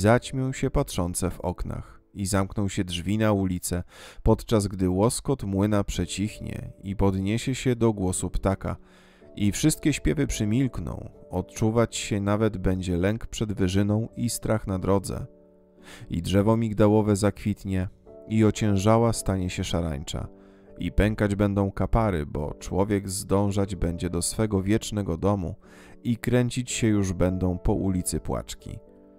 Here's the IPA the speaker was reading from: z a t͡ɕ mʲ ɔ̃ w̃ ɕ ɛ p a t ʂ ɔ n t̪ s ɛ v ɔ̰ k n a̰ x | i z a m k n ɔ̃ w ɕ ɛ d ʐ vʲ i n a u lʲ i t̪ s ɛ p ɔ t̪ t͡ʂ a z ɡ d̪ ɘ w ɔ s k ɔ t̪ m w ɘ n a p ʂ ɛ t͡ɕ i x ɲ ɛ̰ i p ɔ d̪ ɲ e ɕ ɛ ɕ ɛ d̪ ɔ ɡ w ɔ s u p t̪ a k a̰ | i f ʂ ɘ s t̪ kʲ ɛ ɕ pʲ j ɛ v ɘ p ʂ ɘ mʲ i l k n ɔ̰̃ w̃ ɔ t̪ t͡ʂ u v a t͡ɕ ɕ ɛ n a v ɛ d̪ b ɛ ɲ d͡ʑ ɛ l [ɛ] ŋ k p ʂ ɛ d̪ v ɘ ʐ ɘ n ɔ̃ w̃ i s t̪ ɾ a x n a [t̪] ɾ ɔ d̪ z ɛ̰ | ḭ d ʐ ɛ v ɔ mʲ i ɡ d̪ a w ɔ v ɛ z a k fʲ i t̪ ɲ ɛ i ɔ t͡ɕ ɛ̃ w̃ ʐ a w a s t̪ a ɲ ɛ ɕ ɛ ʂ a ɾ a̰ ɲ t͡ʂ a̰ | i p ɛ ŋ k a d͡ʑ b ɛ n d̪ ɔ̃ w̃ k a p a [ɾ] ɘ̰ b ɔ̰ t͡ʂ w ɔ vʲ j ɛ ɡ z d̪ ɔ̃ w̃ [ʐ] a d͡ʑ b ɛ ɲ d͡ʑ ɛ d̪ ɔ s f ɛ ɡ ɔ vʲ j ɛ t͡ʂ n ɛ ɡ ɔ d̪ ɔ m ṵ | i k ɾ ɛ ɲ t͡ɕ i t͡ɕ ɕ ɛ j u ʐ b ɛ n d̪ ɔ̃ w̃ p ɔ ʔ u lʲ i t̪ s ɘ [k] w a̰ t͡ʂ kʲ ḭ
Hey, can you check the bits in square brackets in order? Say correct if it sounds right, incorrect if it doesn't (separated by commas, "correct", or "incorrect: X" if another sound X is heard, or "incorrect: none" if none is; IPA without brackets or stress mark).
correct, incorrect: d̪, correct, correct, incorrect: p